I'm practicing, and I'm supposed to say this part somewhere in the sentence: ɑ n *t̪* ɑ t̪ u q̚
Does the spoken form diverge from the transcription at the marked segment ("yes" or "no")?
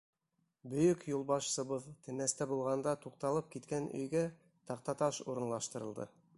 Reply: yes